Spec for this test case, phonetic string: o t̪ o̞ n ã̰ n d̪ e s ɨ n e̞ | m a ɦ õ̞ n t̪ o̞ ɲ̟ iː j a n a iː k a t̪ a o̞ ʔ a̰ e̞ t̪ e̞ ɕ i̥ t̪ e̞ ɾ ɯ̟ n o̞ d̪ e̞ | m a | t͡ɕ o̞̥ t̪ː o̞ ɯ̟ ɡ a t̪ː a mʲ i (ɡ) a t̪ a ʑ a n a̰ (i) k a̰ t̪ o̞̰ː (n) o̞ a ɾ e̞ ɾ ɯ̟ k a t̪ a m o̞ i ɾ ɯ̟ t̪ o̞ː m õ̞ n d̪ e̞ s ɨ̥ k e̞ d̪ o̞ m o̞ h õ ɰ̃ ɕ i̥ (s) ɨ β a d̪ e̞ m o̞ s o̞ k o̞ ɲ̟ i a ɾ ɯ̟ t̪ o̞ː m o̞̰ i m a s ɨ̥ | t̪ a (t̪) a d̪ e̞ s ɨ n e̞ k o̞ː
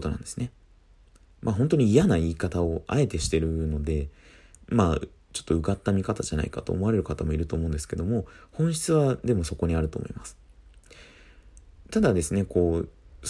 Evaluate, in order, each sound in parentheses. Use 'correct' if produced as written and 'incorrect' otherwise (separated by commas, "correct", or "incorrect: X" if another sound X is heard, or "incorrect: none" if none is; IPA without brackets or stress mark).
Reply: incorrect: k, correct, incorrect: m, incorrect: t͡s, incorrect: d̪